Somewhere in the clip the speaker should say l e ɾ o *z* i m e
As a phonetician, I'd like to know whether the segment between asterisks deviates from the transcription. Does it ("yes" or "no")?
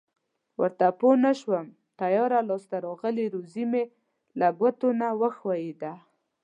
no